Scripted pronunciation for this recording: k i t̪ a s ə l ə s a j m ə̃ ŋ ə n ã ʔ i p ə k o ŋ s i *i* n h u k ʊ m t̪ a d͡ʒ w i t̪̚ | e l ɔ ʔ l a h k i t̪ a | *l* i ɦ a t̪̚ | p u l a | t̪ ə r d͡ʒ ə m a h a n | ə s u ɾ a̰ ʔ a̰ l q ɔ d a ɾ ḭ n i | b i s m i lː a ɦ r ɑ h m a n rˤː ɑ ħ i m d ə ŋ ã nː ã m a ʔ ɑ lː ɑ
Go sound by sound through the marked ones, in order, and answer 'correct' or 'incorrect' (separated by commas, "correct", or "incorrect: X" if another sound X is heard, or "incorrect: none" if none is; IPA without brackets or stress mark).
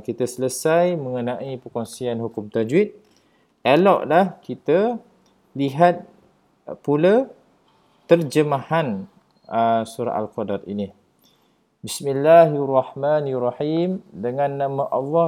incorrect: a, correct